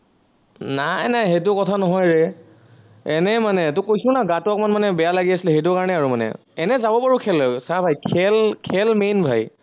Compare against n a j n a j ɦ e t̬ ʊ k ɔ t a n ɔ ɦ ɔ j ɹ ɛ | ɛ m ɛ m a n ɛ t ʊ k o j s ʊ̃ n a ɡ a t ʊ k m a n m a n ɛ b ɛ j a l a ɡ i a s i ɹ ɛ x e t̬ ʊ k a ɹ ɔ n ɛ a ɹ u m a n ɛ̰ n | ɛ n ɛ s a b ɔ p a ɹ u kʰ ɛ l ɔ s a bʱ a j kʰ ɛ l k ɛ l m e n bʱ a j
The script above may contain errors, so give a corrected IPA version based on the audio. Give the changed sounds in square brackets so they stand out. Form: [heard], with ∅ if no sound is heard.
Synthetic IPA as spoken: n a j n a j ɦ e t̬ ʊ k ɔ [tʰ] a n ɔ ɦ ɔ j ɹ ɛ | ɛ [n] ɛ m a n ɛ t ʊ k o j s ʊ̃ n a ɡ a t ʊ k m a n m a n ɛ b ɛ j a l a ɡ i a s i [l] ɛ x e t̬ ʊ k a ɹ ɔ n ɛ a ɹ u m a n ɛ̰ [∅] | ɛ n ɛ [z] a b ɔ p a ɹ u kʰ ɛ l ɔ s a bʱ a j kʰ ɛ l [kʰ] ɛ l m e n bʱ a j